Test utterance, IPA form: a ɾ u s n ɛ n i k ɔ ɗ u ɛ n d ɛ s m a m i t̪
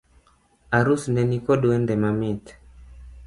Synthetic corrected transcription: a ɾ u s n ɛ n i k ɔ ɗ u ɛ n d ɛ m a m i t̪